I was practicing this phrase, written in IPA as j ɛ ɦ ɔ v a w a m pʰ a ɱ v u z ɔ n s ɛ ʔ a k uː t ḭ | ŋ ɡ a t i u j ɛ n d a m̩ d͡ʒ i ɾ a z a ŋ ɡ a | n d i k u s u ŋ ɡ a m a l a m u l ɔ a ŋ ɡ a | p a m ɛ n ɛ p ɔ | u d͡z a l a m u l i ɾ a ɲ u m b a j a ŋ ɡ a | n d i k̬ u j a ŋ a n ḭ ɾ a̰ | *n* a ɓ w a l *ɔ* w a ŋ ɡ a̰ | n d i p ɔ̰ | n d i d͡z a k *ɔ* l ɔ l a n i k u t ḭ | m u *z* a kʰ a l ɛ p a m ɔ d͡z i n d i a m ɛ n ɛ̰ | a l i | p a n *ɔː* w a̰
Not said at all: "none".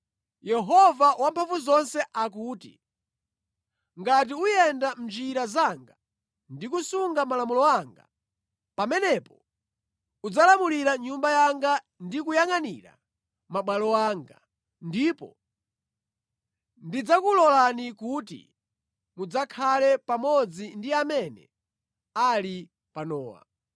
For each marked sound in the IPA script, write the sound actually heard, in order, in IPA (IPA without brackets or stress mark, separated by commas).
m, ɔ, u, d͡z, ɔː